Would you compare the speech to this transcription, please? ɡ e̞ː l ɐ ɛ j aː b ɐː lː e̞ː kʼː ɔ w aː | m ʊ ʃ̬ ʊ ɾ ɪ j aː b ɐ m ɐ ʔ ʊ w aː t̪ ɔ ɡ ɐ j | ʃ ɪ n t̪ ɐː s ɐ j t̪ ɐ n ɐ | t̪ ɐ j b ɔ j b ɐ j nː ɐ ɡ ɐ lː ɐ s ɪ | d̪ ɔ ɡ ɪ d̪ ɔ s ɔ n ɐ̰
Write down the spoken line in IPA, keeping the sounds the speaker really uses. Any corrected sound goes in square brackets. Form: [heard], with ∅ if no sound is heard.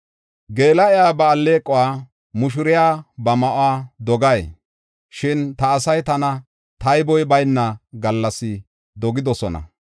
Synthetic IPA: ɡ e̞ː l ɐ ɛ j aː b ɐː lː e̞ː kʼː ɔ w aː | m ʊ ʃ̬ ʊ ɾ ɪ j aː b ɐ m ɐ ʔ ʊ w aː [d̪] ɔ ɡ ɐ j | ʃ ɪ n t̪ ɐː s ɐ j t̪ ɐ n ɐ | t̪ ɐ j b ɔ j b ɐ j nː ɐ ɡ ɐ lː ɐ s ɪ | d̪ ɔ ɡ ɪ d̪ ɔ s ɔ n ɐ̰